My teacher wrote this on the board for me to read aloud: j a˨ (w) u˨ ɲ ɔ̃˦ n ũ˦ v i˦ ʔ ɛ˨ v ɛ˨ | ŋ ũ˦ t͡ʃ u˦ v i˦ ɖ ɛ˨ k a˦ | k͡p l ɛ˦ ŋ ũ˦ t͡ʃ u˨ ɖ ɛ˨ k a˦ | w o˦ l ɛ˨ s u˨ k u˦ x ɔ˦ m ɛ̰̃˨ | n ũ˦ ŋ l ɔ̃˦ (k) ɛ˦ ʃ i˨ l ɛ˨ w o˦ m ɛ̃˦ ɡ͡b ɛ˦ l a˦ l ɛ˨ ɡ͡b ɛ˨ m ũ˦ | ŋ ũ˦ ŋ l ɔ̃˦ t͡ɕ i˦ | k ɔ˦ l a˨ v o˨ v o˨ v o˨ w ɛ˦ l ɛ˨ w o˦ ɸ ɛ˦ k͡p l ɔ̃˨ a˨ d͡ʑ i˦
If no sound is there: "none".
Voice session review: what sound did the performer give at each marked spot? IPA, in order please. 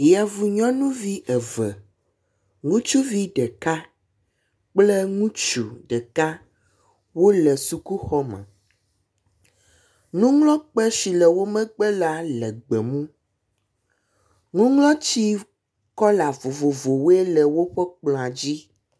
v, k͡p

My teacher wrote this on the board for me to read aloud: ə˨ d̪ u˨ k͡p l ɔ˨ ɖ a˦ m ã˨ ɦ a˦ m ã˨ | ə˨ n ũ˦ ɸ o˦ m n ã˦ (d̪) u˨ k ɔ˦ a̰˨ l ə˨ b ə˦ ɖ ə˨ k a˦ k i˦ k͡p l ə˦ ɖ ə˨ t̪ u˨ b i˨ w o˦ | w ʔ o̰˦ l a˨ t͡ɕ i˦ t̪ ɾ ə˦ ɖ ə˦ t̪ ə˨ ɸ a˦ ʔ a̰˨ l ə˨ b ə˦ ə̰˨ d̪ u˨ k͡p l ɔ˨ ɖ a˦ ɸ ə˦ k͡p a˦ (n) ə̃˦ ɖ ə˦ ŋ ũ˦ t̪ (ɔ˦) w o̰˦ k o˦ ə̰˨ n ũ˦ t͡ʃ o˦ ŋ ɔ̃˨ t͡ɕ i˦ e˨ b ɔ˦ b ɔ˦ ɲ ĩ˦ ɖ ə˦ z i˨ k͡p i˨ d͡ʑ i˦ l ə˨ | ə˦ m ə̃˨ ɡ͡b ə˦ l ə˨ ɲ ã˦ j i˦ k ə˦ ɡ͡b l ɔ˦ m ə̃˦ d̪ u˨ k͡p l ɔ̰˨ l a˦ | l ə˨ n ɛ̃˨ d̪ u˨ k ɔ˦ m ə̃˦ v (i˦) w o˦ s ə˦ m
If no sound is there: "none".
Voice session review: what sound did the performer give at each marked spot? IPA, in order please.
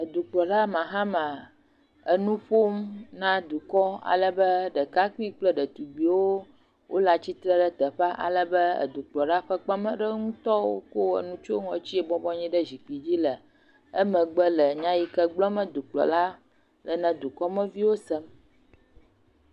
d̪, m, ɔ˦, i˦

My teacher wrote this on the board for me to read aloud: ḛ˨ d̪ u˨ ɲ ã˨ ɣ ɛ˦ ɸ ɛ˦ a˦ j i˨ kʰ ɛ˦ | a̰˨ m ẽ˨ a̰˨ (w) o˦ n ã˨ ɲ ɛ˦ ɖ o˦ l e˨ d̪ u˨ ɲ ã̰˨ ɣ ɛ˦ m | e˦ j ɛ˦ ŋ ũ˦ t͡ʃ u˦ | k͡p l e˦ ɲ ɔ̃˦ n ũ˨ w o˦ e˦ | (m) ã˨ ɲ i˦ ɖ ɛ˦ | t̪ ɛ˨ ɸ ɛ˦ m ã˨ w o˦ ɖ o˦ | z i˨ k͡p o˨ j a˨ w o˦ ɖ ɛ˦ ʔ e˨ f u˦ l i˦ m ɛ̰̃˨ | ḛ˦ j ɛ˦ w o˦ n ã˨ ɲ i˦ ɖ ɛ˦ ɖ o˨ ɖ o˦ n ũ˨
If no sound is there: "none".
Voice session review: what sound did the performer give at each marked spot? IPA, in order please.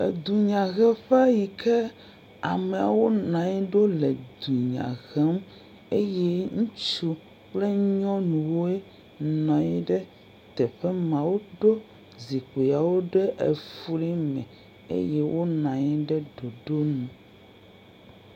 w, n

